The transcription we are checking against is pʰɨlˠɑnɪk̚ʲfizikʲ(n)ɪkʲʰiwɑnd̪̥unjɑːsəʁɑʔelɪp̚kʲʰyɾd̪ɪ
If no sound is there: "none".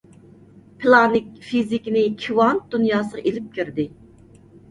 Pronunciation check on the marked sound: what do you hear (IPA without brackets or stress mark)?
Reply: n